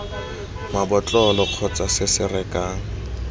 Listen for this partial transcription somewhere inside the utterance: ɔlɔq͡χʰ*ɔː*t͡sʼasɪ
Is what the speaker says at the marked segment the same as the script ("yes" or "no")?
no